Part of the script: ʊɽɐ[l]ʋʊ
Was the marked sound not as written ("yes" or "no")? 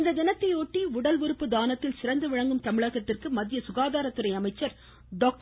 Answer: no